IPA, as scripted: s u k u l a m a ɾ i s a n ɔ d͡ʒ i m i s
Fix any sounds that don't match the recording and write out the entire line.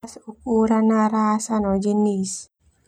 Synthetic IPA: s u k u ɾ a n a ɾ a s a n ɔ d͡ʒ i n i s